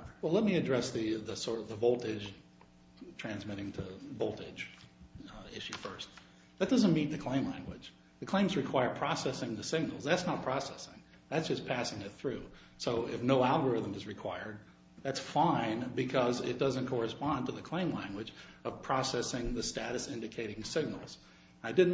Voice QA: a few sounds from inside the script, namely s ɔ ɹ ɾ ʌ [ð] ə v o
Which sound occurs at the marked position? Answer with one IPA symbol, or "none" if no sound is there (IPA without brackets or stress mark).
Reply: ð